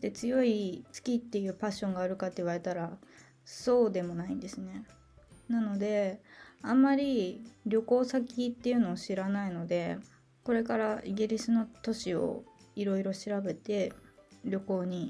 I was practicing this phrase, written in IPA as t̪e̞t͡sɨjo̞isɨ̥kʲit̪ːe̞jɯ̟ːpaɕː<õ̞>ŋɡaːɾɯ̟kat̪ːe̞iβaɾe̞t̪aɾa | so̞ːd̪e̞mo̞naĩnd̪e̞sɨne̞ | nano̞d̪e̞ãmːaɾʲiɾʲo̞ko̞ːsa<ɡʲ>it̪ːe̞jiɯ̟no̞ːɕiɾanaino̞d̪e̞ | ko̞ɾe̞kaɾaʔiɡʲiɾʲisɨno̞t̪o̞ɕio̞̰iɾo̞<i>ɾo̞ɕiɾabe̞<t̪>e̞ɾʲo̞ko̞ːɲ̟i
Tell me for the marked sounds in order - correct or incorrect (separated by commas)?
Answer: correct, incorrect, correct, correct